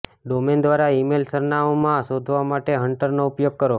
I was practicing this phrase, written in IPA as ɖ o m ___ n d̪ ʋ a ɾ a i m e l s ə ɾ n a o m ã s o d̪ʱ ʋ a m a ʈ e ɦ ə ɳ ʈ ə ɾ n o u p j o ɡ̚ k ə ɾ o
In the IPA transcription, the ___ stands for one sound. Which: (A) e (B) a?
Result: A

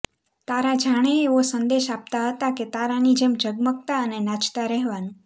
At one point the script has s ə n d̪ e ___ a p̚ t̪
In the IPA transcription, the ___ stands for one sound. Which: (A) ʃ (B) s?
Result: A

